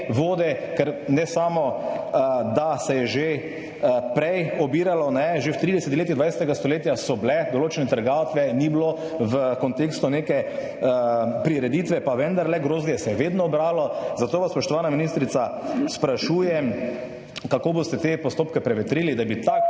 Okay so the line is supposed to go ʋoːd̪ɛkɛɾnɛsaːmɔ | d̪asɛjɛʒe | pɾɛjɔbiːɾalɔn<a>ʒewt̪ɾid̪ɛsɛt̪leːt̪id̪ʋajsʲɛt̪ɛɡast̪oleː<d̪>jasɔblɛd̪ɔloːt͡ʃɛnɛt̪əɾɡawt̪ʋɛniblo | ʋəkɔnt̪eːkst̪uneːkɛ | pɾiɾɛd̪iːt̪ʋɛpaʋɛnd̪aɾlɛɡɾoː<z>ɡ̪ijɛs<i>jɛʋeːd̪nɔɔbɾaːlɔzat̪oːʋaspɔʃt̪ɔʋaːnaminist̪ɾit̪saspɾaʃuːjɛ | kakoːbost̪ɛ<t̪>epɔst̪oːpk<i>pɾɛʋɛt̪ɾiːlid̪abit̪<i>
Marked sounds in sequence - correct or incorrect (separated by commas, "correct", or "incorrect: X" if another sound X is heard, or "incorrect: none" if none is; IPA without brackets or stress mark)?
incorrect: ɛ, incorrect: t̪, correct, incorrect: ɛ, correct, incorrect: ɛ, incorrect: a